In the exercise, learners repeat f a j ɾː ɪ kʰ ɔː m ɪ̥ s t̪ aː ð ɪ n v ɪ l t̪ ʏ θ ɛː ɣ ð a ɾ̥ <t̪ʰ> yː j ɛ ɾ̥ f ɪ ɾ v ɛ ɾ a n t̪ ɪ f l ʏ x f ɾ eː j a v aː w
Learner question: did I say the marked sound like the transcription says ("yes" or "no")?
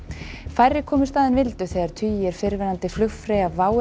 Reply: yes